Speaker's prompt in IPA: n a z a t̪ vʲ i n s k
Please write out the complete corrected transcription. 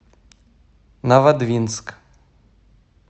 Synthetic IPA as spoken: n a v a d̪ vʲ i n s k